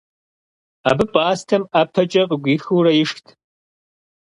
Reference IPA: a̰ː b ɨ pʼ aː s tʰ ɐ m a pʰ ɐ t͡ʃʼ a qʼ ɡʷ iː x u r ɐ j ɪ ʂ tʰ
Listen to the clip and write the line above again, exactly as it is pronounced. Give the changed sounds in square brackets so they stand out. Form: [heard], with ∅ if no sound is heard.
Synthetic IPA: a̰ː b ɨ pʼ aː s tʰ ɐ m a pʰ ɐ t͡ʃʼ [ɐ] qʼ ɡʷ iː x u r ɐ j ɪ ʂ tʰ